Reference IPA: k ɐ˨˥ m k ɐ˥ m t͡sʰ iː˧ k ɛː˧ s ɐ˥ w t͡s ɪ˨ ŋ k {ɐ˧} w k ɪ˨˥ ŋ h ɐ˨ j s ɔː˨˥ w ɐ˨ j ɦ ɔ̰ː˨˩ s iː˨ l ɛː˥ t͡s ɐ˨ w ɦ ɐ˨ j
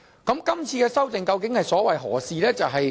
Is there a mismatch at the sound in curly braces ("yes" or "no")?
no